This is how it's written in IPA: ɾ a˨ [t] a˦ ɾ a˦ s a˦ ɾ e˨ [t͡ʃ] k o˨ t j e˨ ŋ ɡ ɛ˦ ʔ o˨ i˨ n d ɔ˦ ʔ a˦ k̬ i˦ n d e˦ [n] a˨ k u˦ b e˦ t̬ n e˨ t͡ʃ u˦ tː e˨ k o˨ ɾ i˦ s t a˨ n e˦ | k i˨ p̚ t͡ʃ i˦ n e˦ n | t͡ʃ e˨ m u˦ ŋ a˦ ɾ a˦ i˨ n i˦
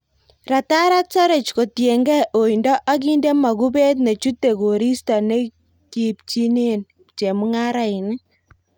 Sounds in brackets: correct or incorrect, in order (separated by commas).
correct, correct, incorrect